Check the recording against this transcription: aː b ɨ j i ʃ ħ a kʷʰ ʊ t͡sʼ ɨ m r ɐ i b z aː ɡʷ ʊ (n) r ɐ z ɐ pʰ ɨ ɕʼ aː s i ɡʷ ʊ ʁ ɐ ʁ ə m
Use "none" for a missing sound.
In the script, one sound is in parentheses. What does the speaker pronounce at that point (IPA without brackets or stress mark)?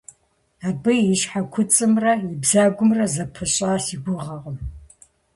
m